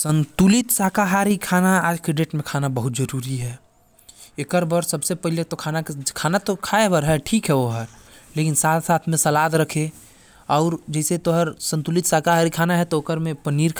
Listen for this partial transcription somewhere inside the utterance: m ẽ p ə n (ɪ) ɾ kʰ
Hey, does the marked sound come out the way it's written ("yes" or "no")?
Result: no